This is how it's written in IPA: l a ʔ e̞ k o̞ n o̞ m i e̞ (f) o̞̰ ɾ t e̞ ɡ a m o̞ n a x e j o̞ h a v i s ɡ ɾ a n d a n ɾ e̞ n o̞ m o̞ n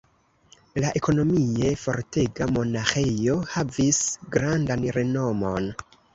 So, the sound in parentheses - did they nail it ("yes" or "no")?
yes